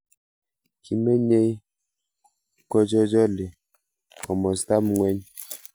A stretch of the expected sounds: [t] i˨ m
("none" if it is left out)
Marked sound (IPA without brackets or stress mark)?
k